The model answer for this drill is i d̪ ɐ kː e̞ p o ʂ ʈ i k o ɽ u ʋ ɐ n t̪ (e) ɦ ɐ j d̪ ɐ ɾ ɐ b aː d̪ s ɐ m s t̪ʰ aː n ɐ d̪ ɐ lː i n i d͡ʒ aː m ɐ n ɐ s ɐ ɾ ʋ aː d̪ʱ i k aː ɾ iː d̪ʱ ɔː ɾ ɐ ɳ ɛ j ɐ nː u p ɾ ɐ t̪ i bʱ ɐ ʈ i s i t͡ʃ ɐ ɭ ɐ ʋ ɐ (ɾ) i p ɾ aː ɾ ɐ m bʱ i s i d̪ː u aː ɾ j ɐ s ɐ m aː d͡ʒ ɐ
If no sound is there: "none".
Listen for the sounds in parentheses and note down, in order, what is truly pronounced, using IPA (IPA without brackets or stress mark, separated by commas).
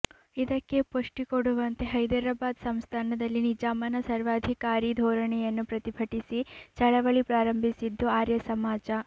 e, ɭ